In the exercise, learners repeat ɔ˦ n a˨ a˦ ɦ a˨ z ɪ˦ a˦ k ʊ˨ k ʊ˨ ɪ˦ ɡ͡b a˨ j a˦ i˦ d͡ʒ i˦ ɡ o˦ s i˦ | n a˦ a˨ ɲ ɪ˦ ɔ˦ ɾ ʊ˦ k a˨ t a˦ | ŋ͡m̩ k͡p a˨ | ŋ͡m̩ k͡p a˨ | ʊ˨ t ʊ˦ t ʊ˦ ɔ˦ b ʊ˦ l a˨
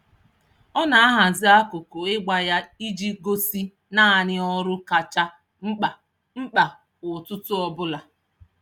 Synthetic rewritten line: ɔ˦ n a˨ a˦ ɦ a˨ z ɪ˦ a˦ k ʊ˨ k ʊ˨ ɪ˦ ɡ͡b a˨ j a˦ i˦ d͡ʒ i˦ ɡ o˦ s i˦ | n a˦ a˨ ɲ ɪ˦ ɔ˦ ɾ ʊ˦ k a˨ t͡ʃ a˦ | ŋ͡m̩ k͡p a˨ | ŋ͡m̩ k͡p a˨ | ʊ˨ t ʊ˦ t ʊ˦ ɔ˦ b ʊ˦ l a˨